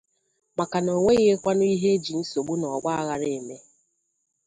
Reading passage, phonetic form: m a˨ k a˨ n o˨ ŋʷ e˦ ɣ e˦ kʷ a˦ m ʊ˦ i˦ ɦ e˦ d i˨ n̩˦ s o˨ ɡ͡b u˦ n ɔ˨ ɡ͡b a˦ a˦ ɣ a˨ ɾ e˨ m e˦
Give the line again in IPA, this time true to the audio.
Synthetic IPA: m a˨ k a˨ n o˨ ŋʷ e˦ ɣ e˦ kʷ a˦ n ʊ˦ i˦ ɦ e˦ d͡ʒ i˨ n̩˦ s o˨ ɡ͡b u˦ n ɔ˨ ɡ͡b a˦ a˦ ɣ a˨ ɾ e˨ m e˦